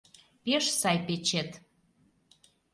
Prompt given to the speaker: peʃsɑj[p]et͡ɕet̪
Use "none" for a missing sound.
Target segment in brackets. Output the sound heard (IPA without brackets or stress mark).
p